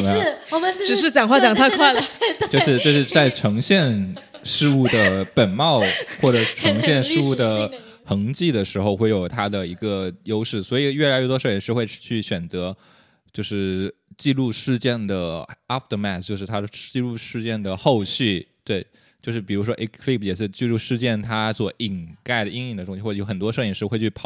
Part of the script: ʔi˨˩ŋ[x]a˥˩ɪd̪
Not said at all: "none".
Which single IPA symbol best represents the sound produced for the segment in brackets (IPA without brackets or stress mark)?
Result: k